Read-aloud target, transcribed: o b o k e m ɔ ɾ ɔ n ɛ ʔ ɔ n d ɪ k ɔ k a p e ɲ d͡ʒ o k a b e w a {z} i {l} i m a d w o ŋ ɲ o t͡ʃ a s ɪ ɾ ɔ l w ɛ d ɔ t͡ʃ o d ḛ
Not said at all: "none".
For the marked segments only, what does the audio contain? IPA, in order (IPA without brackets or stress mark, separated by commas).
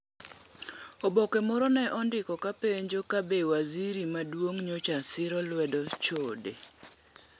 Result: z, ɾ